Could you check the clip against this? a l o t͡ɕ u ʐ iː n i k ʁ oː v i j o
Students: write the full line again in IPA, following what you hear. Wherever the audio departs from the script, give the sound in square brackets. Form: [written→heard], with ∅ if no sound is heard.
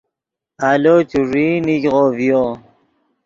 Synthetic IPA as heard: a l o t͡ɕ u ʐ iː n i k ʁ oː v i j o